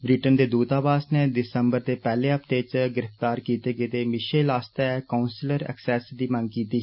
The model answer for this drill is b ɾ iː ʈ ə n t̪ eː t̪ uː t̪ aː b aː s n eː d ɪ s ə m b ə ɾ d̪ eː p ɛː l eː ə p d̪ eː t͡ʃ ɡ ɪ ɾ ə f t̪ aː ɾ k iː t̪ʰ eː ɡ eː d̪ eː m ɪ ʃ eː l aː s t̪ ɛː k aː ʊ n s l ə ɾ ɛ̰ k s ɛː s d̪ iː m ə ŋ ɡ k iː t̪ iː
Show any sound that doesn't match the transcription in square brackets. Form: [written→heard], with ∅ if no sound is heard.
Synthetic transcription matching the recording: b ɾ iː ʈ ə n [t̪→d̪] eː [t̪→d̪] uː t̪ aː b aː s n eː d ɪ s ə m b ə ɾ d̪ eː p ɛː l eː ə p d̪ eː t͡ʃ ɡ ɪ ɾ ə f t̪ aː ɾ k iː [t̪ʰ→t̪] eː ɡ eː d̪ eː m ɪ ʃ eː l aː s t̪ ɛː k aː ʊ n s l ə ɾ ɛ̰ k s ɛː s d̪ iː m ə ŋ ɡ k iː t̪ iː